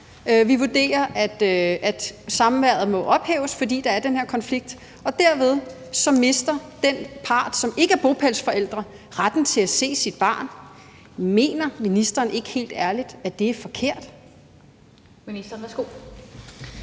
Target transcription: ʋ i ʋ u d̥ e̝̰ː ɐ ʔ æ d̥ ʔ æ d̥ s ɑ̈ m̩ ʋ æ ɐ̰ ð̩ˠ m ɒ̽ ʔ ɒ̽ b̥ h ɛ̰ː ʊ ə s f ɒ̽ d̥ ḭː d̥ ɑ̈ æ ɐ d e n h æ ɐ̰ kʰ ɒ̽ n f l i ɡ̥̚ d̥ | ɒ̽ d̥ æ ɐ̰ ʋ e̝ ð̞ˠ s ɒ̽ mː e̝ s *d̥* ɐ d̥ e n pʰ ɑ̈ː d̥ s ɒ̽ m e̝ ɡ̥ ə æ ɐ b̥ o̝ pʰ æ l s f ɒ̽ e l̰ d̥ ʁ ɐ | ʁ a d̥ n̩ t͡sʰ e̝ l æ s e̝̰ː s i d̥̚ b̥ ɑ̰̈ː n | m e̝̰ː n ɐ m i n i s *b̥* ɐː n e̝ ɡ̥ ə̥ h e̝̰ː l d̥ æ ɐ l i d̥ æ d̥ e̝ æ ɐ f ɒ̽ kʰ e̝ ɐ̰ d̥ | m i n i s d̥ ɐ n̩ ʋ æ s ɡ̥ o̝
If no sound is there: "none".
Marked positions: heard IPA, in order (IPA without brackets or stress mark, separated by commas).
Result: d̥, d̥